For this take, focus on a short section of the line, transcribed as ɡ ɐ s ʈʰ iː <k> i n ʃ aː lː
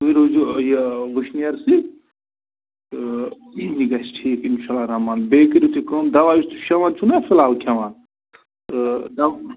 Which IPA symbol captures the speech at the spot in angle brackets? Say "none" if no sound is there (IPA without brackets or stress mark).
k